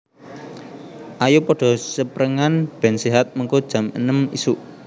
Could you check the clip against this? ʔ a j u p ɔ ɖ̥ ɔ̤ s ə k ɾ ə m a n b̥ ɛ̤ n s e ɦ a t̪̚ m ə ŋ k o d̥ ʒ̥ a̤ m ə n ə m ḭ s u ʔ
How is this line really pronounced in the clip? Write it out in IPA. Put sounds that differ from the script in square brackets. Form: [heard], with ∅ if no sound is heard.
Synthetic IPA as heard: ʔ a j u p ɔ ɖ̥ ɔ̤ s ə [p] ɾ ə [ŋ] a n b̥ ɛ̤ n s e ɦ a t̪̚ m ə ŋ k o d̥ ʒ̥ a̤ m ə n ə m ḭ s u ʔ